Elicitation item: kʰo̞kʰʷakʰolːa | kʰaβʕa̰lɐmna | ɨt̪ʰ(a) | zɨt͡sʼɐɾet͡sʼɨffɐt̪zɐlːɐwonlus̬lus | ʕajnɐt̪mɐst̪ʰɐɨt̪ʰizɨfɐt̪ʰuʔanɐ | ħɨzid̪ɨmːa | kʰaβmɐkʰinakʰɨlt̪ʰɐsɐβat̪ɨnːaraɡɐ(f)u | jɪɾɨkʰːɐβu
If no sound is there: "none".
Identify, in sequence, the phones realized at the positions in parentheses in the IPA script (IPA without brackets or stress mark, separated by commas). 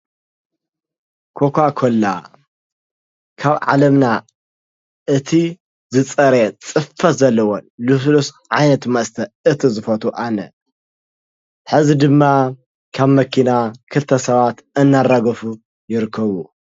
i, f